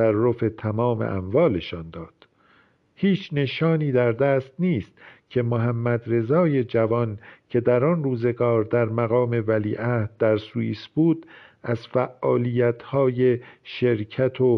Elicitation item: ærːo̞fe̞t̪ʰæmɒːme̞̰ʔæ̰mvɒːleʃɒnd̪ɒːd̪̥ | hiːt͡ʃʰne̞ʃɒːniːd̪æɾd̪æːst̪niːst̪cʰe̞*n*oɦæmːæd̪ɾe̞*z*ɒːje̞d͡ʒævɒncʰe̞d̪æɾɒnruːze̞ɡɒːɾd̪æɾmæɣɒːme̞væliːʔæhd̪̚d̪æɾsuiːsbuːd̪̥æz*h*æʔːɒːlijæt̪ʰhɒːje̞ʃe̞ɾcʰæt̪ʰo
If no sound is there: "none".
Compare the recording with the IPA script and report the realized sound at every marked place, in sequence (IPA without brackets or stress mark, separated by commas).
m, z, f